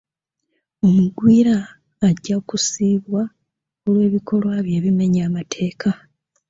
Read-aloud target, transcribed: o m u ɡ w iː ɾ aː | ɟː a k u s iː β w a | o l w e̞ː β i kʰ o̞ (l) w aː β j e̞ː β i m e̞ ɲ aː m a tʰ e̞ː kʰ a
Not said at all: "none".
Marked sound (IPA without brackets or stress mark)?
l